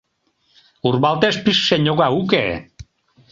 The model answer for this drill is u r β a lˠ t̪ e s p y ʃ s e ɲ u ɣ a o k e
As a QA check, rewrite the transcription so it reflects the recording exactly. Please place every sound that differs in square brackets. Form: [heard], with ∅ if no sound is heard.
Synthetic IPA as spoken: u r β a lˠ t̪ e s p [i] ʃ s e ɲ [o] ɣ a [u] k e